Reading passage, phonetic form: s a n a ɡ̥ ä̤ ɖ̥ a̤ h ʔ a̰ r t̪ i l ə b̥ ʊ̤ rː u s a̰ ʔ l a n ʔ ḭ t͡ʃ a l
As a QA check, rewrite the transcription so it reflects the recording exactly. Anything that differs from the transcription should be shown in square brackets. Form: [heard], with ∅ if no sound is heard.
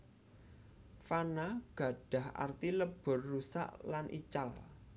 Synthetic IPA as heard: [f] a n a ɡ̥ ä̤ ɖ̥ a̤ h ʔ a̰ r t̪ i l ə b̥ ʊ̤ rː u s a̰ ʔ l a n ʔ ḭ t͡ʃ a l